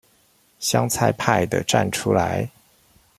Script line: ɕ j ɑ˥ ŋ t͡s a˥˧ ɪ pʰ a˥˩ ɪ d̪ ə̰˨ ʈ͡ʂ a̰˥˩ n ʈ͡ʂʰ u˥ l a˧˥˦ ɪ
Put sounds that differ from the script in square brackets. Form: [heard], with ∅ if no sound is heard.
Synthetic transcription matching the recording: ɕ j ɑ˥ ŋ [t͡sʰ] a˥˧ ɪ pʰ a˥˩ ɪ d̪ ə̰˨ ʈ͡ʂ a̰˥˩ n ʈ͡ʂʰ u˥ l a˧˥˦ ɪ